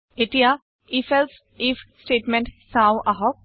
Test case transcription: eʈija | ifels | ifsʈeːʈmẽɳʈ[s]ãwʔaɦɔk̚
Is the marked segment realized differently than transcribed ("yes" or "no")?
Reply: no